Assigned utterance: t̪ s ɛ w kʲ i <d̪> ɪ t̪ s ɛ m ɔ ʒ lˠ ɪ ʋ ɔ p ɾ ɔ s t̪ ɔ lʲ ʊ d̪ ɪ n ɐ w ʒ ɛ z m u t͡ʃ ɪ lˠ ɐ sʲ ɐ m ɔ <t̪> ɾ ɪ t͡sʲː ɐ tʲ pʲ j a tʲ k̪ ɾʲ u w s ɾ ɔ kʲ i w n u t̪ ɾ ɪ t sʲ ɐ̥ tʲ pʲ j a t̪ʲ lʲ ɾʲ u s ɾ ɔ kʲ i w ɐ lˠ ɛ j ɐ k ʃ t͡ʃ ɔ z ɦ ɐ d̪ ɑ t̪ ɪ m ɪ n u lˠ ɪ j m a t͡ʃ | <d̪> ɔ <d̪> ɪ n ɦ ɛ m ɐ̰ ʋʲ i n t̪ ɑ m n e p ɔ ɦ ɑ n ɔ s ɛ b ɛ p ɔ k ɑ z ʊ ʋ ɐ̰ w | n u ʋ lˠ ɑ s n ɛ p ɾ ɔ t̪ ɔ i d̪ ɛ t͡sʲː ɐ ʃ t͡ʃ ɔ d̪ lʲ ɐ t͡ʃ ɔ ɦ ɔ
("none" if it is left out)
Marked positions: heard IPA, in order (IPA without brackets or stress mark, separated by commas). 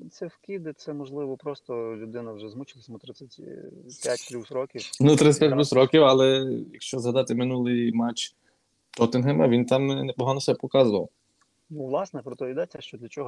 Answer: d̪, t̪, t̪, t̪